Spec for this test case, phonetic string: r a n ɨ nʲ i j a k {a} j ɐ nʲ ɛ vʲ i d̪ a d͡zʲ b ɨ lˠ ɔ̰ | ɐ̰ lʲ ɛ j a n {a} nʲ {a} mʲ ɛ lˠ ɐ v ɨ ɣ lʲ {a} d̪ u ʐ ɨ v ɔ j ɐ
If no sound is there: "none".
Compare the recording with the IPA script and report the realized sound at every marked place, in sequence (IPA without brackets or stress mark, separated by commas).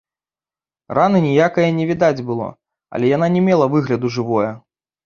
ɐ, a, ɛ, ɐ